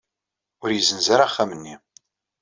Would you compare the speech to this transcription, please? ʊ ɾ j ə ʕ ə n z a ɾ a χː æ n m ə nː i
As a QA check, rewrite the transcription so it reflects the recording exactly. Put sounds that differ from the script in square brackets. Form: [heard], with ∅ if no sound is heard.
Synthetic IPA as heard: ʊ ɾ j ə [z] ə n z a ɾ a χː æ [∅] m ə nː i